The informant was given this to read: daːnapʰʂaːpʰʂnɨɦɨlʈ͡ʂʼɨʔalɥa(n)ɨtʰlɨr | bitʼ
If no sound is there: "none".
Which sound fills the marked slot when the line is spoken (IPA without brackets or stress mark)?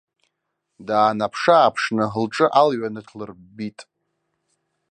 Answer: n